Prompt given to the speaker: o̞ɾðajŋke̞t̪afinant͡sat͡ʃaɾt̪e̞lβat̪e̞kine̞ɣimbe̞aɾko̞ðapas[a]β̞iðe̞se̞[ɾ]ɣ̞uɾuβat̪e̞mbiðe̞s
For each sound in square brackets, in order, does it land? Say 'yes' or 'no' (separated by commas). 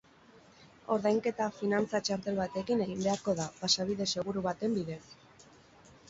yes, no